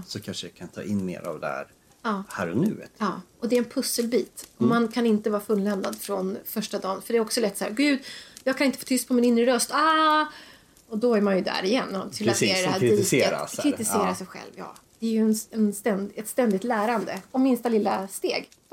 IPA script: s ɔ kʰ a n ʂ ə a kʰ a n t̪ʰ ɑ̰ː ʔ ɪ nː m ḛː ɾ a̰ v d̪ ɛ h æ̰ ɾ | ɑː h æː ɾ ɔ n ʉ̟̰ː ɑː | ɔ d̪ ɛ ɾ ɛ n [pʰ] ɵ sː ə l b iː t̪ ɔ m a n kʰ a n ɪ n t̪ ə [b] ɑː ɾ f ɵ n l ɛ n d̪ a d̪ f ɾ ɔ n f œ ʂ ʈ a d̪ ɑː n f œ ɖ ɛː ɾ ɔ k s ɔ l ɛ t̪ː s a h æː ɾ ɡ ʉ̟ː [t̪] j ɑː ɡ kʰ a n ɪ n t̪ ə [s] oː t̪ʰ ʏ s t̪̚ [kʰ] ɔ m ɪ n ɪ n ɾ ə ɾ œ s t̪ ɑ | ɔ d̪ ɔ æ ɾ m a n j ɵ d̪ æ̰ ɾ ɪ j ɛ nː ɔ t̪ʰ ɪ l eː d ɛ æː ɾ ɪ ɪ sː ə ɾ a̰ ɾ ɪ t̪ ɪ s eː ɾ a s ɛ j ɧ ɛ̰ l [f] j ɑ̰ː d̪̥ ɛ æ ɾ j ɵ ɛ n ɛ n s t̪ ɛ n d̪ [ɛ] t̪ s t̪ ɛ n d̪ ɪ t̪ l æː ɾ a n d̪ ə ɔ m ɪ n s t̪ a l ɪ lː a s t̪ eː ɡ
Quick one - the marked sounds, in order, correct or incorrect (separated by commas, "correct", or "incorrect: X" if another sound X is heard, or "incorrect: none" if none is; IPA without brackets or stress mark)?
correct, incorrect: v, incorrect: d̪, incorrect: f, incorrect: pʰ, incorrect: v, correct